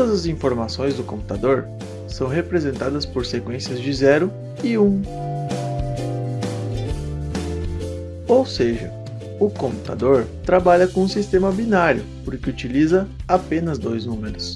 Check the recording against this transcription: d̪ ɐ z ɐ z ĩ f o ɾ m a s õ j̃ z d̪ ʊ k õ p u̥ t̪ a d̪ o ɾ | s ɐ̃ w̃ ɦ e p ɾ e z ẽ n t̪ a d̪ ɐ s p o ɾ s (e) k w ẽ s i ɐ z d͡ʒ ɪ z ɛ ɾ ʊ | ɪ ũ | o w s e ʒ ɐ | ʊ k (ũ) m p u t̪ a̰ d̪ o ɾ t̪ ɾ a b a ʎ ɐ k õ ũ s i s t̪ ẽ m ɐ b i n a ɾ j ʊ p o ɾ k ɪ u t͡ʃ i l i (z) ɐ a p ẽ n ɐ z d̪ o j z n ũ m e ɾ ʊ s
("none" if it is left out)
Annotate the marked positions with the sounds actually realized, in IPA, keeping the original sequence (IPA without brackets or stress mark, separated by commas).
e, õ, z